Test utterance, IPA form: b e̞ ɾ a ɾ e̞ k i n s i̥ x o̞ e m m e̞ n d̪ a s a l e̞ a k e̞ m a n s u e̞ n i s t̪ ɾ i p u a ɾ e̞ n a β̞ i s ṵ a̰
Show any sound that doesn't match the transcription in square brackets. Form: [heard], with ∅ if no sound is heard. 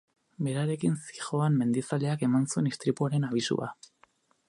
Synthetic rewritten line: b e̞ ɾ a ɾ e̞ k i n s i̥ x o̞ [a] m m e̞ n d̪ [i] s a l e̞ a k e̞ m a n s u e̞ n i s t̪ ɾ i p u a ɾ e̞ n a β̞ i s ṵ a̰